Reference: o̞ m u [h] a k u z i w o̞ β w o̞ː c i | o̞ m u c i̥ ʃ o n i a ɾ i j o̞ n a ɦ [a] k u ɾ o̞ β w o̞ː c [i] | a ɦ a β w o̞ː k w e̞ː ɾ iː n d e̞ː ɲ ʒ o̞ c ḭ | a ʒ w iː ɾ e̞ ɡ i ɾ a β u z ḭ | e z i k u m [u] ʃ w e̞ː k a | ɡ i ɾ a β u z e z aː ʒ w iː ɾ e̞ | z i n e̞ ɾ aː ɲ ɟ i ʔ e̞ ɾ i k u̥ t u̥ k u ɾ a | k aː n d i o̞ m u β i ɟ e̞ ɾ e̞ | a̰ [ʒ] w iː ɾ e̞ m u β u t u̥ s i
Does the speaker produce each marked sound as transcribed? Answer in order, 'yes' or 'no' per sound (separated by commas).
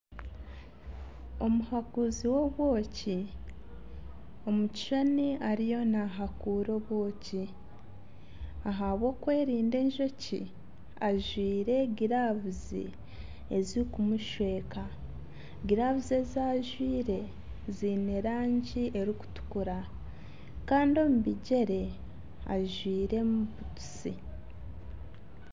yes, yes, yes, yes, yes